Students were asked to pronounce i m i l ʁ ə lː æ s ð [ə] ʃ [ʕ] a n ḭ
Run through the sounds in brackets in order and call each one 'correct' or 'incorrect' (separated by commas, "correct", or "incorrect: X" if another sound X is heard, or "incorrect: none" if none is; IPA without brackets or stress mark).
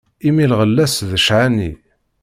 correct, correct